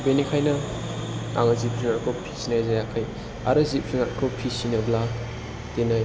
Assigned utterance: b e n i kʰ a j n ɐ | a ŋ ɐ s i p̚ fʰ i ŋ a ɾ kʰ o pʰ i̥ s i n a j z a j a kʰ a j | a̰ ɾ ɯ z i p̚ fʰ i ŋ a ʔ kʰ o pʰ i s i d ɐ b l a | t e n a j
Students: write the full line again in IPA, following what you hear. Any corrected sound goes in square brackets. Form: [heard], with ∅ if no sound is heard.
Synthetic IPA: b e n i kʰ a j n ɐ | a ŋ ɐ [z] i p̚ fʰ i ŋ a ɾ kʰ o pʰ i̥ s i n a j z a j a kʰ a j | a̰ ɾ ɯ z i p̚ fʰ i ŋ a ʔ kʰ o pʰ i s i [n] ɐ b l a | t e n a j